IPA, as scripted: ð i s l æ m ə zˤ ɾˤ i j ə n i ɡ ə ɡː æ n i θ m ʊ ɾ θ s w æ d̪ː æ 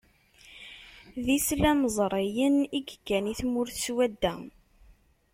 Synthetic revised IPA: ð i s l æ m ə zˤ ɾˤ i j ə n i ɡ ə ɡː æ n i θ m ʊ ɾ θ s w æ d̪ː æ